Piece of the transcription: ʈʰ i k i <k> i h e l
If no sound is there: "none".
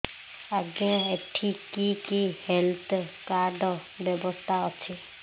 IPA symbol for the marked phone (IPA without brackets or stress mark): k